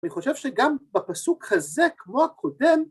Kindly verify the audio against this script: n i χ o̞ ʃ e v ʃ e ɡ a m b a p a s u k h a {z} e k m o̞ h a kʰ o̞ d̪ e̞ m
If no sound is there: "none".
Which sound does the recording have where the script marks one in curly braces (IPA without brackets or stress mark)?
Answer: z